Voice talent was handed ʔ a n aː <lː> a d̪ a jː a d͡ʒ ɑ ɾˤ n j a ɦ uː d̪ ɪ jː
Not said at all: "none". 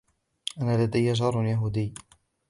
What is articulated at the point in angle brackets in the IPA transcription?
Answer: l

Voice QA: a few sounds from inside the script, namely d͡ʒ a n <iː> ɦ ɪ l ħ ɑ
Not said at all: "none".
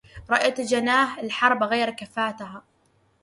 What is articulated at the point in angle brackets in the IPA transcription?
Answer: aː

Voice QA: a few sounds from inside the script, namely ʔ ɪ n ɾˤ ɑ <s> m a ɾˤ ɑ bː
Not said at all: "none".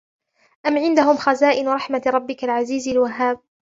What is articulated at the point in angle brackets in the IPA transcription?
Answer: ħ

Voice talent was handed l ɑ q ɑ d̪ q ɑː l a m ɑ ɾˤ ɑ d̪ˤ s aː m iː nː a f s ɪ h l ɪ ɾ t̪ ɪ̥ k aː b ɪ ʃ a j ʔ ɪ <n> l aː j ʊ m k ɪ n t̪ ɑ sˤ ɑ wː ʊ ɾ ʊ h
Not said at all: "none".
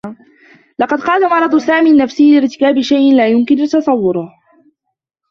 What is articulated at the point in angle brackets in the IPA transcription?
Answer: n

